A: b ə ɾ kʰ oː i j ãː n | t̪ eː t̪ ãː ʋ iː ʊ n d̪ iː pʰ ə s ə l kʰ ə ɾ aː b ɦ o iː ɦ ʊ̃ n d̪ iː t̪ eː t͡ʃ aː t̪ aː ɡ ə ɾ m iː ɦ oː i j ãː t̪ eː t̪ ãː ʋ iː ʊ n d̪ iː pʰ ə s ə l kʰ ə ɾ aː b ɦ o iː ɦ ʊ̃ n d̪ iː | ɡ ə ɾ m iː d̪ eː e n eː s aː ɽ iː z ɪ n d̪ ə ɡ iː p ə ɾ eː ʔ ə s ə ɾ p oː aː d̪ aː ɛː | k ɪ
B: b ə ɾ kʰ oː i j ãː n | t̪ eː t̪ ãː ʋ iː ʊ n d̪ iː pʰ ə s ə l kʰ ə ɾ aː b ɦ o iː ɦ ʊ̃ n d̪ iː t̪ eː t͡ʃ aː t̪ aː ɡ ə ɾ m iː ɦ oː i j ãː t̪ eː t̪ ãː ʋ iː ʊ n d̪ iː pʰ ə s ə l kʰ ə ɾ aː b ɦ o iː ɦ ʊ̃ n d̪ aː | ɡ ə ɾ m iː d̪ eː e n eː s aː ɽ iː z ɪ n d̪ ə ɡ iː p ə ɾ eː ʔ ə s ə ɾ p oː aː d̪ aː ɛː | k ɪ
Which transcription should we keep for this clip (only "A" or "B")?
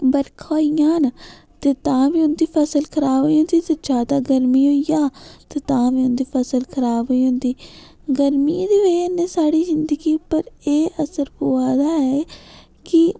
A